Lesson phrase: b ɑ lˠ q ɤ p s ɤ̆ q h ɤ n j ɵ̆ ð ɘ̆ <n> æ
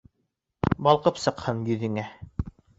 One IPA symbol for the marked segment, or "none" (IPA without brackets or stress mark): ŋ